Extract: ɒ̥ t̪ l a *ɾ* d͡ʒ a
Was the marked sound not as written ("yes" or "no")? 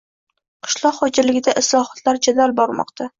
no